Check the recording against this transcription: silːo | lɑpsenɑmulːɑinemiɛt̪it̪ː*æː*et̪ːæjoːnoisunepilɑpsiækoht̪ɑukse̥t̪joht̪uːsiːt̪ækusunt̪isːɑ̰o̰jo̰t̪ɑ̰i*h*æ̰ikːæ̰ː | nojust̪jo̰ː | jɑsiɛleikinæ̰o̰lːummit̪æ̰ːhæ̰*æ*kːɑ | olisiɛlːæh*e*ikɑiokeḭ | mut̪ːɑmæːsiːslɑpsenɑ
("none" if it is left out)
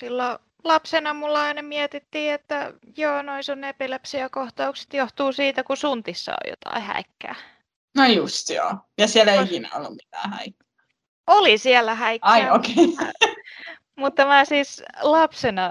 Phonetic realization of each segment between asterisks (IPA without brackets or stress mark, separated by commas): iː, h, i, æ